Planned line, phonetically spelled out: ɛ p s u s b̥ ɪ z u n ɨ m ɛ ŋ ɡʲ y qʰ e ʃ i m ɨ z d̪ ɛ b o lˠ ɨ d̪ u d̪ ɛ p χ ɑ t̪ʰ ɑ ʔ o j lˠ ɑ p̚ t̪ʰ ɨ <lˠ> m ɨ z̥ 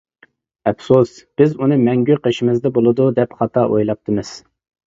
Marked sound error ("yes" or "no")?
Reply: yes